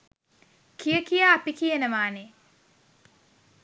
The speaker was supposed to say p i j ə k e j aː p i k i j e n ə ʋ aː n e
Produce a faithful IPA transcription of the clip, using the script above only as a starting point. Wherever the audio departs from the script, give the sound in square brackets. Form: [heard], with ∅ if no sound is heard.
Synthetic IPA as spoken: [k] i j ə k [i] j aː p i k i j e n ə ʋ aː n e